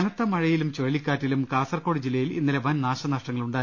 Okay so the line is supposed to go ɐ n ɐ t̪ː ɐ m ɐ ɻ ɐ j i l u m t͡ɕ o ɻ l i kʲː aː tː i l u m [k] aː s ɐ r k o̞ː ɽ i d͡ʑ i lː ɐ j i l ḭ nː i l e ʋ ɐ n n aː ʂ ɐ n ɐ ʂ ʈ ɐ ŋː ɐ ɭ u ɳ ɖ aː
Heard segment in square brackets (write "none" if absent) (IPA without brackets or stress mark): k